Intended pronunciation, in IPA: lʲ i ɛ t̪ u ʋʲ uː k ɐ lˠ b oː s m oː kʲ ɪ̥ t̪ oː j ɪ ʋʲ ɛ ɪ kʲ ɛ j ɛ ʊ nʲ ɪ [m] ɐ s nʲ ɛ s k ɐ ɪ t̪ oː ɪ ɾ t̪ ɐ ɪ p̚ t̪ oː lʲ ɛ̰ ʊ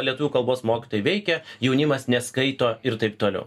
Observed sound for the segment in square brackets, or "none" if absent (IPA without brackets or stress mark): m